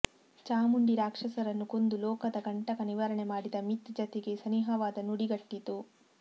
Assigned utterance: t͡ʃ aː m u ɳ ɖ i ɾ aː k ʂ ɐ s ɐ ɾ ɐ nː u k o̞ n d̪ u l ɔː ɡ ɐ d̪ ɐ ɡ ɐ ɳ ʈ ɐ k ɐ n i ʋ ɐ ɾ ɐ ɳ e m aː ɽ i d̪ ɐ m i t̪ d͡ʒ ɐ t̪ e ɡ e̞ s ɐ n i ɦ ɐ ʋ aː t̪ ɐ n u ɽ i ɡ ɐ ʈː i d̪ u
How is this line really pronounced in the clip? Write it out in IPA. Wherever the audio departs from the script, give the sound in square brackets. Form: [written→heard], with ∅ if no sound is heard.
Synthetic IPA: t͡ʃ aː m u ɳ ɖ i ɾ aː k ʂ ɐ s ɐ ɾ ɐ nː u k o̞ n d̪ u l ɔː [ɡ→k] ɐ d̪ ɐ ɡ ɐ ɳ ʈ ɐ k ɐ n i ʋ ɐ ɾ ɐ ɳ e m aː ɽ i d̪ ɐ m i t̪ d͡ʒ ɐ t̪ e ɡ e̞ s ɐ n i ɦ ɐ ʋ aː [t̪→d̪] ɐ n u ɽ i ɡ ɐ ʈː i [d̪→t̪] u